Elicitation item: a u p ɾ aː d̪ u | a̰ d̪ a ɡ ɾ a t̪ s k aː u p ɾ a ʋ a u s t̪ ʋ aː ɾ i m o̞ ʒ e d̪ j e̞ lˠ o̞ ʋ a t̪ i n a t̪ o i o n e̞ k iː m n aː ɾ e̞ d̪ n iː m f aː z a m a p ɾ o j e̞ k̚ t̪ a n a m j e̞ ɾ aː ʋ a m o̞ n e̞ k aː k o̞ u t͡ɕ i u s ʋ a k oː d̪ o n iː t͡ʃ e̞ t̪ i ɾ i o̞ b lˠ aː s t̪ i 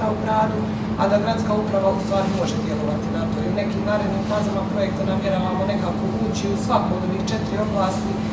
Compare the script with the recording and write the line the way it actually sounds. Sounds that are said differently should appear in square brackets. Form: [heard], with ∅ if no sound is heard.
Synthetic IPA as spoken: a u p ɾ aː d̪ u | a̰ d̪ a ɡ ɾ a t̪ s k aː u p ɾ a ʋ a u s t̪ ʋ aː ɾ i m o̞ ʒ e d̪ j e̞ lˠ o̞ ʋ a t̪ i n a t̪ o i [u] n e̞ k iː m n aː ɾ e̞ d̪ n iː m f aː z a m a p ɾ o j e̞ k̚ t̪ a n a m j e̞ ɾ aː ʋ a m o̞ n e̞ k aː k o̞ u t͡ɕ i u s ʋ a k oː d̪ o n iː t͡ʃ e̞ t̪ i ɾ i o̞ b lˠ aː s t̪ i